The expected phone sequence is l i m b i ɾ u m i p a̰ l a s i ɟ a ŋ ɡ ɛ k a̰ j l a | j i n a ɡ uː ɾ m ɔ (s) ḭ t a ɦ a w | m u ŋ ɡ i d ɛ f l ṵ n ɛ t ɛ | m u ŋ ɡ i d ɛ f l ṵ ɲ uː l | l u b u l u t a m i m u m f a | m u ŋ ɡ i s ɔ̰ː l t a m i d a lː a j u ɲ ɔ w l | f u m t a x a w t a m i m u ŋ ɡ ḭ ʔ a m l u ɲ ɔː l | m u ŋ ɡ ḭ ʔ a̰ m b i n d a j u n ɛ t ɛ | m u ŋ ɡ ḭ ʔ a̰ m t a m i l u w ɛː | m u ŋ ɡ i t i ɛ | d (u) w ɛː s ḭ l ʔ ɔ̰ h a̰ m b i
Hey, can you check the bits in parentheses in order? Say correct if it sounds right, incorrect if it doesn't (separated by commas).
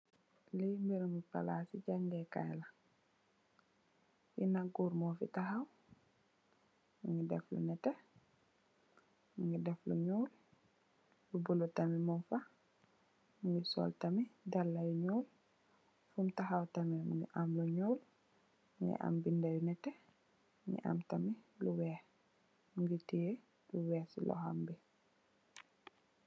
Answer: incorrect, correct